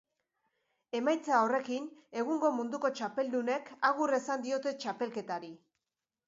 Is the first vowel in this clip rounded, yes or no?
no